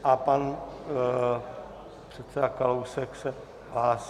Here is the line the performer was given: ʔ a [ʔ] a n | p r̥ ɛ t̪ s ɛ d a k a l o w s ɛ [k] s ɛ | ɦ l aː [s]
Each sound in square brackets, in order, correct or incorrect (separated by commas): incorrect, correct, correct